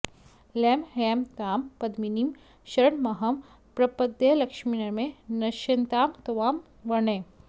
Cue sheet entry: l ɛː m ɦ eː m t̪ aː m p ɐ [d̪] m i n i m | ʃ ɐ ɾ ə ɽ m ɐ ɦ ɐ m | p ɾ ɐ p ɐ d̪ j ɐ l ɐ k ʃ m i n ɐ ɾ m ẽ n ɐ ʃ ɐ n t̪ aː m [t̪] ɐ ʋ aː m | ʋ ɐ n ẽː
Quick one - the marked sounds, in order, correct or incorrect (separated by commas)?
correct, correct